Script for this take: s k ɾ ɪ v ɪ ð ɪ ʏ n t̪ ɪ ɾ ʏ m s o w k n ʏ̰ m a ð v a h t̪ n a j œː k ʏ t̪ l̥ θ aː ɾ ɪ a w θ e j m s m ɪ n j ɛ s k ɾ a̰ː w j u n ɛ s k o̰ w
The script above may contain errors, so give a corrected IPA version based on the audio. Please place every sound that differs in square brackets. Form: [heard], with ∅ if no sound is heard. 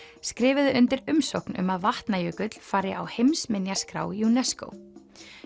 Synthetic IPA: s k ɾ [ɪː] v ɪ ð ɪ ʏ n t̪ ɪ ɾ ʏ m s o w k n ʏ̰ m a ð v a h t̪ n a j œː k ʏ t̪ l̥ [f] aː ɾ ɪ a w [h] e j m s m ɪ n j [a] s k ɾ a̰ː w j u n ɛ s k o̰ w